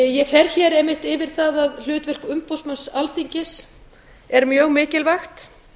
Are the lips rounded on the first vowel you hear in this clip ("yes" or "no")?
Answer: no